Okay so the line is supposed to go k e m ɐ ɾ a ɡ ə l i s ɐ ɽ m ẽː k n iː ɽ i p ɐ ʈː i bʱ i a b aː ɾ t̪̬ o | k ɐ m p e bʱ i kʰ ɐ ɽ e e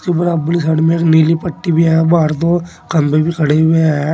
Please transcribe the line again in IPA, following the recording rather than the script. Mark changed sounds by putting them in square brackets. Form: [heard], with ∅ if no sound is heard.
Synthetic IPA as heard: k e [b] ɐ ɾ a [b] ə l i s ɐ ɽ m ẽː k n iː [l] i p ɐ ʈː i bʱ i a b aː ɾ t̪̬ o | k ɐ m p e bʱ i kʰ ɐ ɽ e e